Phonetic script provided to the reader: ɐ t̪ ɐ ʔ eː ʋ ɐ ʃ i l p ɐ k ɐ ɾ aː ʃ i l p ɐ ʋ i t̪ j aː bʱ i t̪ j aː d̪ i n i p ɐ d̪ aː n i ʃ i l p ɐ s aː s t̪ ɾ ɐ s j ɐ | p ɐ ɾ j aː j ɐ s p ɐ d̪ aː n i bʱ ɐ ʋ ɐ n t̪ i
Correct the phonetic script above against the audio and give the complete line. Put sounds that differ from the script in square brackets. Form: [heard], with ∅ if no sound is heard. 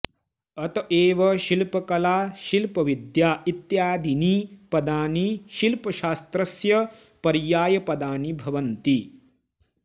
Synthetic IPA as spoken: ɐ t̪ ɐ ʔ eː ʋ ɐ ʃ i l p ɐ k ɐ [l] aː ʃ i l p ɐ ʋ i [d̪] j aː [∅] i t̪ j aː d̪ i n i p ɐ d̪ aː n i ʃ i l p ɐ [ʃ] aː s t̪ ɾ ɐ s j ɐ | p ɐ ɾ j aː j ɐ [∅] p ɐ d̪ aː n i bʱ ɐ ʋ ɐ n t̪ i